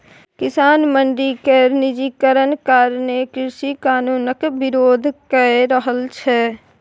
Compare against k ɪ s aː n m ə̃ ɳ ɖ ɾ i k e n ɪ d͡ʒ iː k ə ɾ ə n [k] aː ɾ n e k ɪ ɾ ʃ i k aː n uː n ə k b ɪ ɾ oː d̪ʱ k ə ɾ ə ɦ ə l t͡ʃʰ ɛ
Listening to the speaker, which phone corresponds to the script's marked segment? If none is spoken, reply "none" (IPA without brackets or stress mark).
k